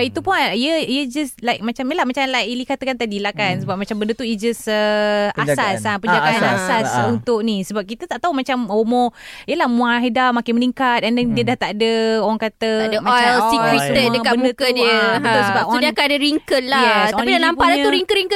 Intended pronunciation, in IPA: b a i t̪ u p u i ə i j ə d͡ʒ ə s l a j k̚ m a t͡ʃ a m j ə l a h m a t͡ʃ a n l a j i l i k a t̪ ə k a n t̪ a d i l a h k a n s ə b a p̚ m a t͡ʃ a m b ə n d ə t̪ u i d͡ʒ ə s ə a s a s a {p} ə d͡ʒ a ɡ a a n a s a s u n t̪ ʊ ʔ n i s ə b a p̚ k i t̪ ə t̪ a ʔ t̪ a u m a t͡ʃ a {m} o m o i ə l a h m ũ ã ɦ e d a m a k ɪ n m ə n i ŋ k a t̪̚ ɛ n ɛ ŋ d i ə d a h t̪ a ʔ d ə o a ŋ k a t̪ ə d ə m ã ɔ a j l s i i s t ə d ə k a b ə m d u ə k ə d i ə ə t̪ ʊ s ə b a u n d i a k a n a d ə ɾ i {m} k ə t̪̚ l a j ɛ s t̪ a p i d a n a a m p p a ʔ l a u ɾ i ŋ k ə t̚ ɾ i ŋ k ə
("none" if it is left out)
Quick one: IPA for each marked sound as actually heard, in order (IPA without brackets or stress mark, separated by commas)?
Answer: p, m, ŋ